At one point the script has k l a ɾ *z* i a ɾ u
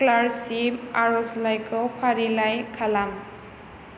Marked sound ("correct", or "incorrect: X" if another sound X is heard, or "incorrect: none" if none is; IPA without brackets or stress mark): incorrect: s